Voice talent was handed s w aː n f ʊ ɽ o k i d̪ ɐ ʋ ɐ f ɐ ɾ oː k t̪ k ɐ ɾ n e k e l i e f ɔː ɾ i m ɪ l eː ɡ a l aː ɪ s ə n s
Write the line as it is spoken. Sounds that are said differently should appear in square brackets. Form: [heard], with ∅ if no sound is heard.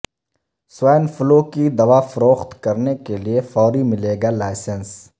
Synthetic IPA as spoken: s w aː n f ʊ [l] o k i d̪ ɐ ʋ [a] f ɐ ɾ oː [x] t̪ k ɐ ɾ n e k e l i e f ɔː ɾ i m ɪ l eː ɡ a l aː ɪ s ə n s